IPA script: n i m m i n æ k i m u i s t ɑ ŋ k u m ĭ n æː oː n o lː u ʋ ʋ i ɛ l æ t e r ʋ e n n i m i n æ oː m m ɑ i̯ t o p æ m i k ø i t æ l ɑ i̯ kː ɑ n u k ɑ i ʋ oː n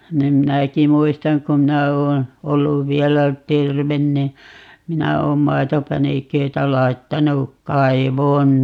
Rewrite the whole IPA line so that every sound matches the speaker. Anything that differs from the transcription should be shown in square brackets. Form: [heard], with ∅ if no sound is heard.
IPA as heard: n i m m i n æ k i m u i s t ɑ ŋ k u m ĭ n [æ] oː n o lː u ʋ ʋ i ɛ l æ t e r ʋ e n n i m i n æ oː m m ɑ i̯ t o p æ [n] i k ø i t æ l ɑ i̯ [tː] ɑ n u k ɑ i ʋ oː n